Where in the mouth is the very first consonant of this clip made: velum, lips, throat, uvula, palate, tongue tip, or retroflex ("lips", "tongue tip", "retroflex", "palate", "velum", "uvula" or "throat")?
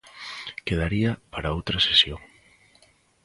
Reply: velum